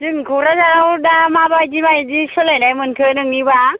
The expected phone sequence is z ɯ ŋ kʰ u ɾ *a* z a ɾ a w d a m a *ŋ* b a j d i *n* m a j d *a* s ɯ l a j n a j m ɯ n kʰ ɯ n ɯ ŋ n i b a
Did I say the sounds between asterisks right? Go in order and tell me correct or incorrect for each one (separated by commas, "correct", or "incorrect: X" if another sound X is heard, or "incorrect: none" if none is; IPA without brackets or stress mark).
correct, incorrect: none, incorrect: none, incorrect: i